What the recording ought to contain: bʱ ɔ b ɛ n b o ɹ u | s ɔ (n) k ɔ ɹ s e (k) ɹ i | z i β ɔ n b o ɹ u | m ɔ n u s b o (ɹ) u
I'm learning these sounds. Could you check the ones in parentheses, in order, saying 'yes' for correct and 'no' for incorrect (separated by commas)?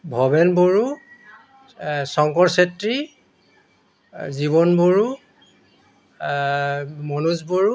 no, no, yes